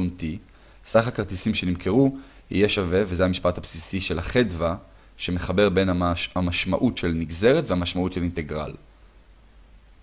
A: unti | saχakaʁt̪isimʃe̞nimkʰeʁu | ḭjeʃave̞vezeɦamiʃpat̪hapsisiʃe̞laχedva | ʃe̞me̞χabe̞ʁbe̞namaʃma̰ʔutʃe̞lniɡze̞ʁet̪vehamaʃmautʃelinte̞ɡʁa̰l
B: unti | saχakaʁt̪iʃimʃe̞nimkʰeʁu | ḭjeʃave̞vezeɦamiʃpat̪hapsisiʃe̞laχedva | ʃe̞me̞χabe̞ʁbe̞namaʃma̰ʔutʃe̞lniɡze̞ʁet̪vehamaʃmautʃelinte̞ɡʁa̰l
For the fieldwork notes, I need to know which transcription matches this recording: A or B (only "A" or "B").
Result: A